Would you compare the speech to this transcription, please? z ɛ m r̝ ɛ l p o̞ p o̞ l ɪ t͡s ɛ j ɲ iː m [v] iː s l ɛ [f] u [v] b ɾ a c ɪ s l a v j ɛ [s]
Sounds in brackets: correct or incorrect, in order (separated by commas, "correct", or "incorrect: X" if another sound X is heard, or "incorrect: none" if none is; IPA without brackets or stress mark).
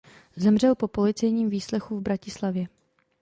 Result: correct, incorrect: x, correct, incorrect: none